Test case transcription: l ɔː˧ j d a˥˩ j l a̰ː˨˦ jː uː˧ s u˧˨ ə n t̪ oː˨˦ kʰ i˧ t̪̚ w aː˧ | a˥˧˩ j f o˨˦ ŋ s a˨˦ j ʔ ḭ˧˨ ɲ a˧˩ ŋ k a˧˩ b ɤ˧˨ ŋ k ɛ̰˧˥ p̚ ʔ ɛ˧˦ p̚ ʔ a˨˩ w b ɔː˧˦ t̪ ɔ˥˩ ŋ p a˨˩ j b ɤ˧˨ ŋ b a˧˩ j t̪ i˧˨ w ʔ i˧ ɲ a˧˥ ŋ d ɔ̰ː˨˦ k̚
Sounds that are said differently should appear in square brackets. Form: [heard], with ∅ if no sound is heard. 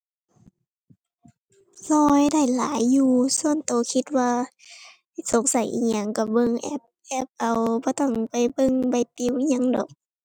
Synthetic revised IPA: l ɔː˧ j d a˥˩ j l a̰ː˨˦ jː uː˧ s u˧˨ ə n t̪ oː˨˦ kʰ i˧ t̪̚ w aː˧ | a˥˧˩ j [s] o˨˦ ŋ s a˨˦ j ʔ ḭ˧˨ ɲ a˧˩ ŋ k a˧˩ b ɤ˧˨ ŋ [ʔ] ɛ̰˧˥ p̚ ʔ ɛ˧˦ p̚ ʔ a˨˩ w b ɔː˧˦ t̪ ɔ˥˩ ŋ p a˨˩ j b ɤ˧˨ ŋ b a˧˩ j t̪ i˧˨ w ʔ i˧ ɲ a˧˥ ŋ d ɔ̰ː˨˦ k̚

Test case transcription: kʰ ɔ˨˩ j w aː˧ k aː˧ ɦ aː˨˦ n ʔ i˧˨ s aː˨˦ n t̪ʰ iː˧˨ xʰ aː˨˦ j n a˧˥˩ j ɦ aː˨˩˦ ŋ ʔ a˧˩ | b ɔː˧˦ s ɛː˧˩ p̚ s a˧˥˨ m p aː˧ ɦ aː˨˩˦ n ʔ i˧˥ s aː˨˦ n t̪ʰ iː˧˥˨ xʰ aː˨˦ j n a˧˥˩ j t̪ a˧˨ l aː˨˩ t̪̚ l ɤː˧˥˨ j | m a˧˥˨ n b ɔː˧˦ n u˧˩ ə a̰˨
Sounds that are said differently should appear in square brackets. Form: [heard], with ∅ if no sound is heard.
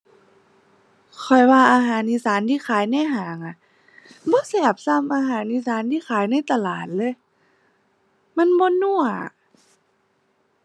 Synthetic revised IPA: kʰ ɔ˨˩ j w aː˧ [ʔ] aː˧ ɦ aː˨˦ n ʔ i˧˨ s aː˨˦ n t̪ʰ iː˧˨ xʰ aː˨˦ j n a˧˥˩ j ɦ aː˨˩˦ ŋ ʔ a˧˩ | b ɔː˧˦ s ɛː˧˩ p̚ s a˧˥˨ m [ʔ] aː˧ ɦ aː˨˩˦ n ʔ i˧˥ s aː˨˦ n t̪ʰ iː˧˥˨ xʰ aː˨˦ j n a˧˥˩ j t̪ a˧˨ l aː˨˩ t̪̚ l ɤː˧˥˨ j | m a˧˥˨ n b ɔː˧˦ n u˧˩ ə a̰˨

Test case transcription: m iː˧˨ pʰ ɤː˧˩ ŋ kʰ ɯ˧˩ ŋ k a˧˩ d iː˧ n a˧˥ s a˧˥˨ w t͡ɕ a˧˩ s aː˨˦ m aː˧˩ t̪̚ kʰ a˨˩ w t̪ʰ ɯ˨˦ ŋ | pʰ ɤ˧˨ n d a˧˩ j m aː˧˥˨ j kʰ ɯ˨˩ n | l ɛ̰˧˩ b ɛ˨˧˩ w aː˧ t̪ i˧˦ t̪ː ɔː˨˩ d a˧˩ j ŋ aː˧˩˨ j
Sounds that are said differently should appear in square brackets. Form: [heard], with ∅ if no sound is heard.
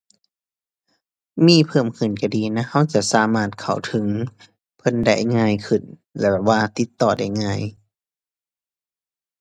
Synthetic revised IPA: m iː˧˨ pʰ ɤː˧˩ [m] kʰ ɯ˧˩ [n] k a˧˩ d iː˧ n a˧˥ [h] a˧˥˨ w t͡ɕ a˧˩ s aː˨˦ m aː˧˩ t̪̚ kʰ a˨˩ w t̪ʰ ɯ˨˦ ŋ | pʰ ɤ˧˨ n d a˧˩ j [ŋ] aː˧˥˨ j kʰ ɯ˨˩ n | l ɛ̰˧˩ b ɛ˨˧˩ w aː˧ t̪ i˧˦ t̪ː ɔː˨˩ d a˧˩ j ŋ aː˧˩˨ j

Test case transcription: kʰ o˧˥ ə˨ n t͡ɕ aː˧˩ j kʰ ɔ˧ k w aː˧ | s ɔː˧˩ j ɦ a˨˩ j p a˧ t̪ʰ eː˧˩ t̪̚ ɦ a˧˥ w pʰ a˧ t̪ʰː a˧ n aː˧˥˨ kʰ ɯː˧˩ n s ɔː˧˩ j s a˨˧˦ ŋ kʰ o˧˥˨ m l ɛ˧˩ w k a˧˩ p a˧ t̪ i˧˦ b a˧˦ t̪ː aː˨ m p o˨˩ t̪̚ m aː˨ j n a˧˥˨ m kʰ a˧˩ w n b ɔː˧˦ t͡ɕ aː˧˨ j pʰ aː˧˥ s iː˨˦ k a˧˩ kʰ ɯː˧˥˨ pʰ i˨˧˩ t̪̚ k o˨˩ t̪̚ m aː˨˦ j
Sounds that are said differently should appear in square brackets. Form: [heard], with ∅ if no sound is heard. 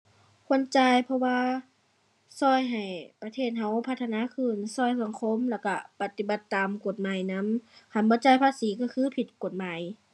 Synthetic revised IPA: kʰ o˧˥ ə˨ n t͡ɕ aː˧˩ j [pʰ] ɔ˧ [∅] w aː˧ | s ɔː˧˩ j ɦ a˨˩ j p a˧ t̪ʰ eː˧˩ t̪̚ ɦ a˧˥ w pʰ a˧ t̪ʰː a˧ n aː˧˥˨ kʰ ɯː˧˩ n s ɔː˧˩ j s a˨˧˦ ŋ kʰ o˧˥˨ m l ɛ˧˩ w k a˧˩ p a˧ t̪ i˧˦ b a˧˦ t̪ː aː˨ m [k] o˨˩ t̪̚ m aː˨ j n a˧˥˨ m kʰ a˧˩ [∅] n b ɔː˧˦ t͡ɕ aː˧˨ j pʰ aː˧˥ s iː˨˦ k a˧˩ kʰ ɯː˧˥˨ pʰ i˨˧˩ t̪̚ k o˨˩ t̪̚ m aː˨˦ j

